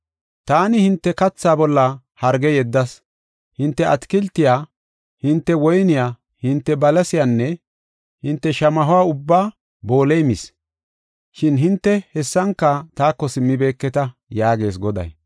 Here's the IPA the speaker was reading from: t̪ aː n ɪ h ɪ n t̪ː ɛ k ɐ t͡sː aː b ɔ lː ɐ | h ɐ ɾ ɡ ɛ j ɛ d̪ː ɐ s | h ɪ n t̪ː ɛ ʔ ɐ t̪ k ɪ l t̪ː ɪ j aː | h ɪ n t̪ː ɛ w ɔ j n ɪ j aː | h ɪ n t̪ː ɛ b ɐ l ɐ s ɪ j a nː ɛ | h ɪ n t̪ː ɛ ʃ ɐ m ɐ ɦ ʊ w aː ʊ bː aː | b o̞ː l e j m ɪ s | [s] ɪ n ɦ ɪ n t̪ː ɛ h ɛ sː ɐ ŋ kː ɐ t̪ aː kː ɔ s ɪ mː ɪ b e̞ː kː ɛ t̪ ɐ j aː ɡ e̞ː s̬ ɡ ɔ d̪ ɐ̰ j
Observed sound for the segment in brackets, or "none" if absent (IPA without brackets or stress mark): ʃ